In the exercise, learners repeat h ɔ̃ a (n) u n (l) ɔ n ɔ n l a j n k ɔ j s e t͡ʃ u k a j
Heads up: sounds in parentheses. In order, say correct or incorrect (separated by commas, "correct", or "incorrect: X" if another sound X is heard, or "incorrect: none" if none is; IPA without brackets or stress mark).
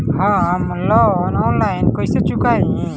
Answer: incorrect: m, correct